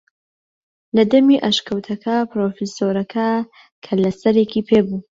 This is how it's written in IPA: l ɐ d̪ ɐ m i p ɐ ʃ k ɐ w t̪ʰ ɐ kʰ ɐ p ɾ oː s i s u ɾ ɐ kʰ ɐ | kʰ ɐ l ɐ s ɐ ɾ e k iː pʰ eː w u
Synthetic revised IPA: l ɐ d̪ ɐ m i ʔ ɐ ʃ k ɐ w t̪ʰ ɐ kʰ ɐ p ɾ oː f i s o ɾ ɐ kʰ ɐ | kʰ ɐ l ɐ s ɐ ɾ e k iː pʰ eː b u

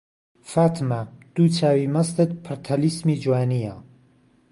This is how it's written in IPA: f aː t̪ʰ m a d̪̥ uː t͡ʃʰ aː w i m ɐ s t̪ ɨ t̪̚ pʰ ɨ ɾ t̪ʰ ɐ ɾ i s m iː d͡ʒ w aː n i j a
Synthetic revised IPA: f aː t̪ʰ m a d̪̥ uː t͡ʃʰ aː w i m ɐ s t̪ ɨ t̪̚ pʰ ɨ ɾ t̪ʰ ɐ l i s m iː d͡ʒ w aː n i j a

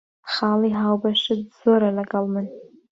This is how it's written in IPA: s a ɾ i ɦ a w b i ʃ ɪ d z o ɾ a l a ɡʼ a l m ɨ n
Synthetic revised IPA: χ a l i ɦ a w b a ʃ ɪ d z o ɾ a l a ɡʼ a l m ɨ n

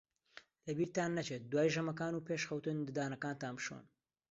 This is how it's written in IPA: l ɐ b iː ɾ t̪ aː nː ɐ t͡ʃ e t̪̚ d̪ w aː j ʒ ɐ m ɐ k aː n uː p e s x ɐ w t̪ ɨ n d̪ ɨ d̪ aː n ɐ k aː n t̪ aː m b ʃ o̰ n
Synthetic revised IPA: l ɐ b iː ɾ t̪ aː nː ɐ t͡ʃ e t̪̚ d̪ w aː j ʒ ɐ m ɐ k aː n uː p e ʃ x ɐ w t̪ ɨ n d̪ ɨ d̪ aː n ɐ k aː n t̪ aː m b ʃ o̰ n

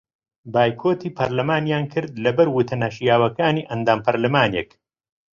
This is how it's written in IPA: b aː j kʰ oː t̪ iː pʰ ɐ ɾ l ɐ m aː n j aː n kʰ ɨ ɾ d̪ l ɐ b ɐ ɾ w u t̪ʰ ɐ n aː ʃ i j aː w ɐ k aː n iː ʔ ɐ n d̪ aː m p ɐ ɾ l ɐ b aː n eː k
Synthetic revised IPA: b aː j kʰ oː t̪ iː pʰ ɐ ɾ l ɐ m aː n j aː n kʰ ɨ ɾ d̪ l ɐ b ɐ ɾ w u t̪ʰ ɐ n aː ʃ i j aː w ɐ k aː n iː ʔ ɐ n d̪ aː m p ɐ ɾ l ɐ m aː n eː k

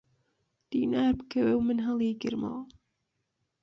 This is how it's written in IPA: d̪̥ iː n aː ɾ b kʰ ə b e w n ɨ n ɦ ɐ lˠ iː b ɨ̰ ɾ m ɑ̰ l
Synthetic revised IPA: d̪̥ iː n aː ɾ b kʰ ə w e w m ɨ n ɦ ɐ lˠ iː ɡ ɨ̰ ɾ m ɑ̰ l

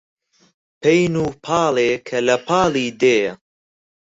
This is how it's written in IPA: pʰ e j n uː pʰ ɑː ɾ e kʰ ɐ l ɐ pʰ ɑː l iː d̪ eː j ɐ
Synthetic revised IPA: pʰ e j n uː pʰ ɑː l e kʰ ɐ l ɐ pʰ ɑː l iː d̪ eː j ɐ

